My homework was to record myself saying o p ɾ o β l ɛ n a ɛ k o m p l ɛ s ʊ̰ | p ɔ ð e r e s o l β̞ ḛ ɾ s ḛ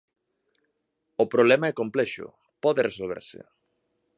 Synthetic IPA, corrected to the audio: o p ɾ o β l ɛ m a ɛ k o m p l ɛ ʃ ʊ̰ | p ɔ ð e r e s o l β̞ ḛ ɾ s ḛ